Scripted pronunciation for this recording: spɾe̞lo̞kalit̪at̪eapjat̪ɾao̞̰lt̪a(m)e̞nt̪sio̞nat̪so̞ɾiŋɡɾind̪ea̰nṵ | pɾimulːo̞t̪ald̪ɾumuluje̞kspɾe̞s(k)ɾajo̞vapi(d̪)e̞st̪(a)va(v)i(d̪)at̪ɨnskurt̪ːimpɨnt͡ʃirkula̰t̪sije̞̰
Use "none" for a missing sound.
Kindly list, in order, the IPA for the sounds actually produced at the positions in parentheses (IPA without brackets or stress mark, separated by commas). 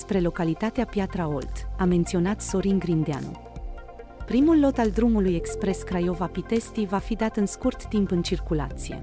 m, k, t̪, i, f, d̪